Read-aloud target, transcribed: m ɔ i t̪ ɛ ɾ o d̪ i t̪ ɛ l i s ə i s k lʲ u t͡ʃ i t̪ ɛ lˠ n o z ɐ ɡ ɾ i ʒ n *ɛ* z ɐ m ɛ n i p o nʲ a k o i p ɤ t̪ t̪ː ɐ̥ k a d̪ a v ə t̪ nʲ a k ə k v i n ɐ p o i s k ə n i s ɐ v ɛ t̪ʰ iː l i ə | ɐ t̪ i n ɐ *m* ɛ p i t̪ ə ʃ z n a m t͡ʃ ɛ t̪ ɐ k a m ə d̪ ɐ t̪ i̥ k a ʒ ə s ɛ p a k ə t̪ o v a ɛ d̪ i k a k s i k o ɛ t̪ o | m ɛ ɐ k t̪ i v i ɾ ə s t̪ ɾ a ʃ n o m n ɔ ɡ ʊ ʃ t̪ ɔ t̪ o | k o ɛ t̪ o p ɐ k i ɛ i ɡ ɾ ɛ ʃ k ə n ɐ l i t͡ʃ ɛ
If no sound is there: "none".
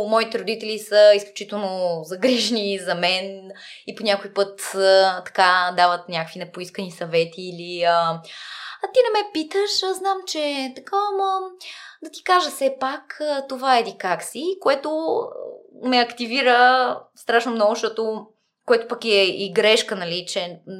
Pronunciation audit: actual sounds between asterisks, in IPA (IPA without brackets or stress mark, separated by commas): i, m